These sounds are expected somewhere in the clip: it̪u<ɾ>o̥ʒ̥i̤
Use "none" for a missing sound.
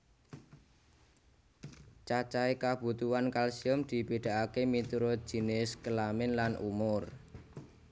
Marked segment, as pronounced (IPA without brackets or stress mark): ɾ